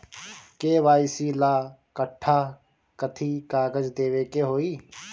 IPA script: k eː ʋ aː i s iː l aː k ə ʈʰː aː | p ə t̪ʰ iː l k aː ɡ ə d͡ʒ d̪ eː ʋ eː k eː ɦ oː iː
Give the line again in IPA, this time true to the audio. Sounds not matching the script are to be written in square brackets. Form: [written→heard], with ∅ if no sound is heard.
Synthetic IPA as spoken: k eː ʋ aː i s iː l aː k ə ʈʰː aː | [p→k] ə t̪ʰ iː [l→∅] k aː ɡ ə d͡ʒ d̪ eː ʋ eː k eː ɦ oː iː